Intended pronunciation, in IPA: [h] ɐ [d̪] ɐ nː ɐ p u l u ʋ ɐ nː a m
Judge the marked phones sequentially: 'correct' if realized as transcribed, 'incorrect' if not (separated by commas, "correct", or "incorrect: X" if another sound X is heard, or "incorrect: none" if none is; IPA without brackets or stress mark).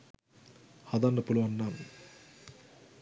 correct, correct